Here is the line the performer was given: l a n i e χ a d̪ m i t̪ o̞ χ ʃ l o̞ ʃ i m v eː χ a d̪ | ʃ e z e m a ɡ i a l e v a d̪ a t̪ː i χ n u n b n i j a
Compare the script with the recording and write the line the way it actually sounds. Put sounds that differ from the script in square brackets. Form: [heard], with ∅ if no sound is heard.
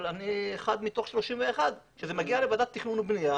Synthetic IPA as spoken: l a n i e χ a d̪ m i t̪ o̞ χ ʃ l o̞ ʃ i m v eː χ a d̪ | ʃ e z e m a ɡ i a l e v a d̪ a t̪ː i χ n u n b n i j a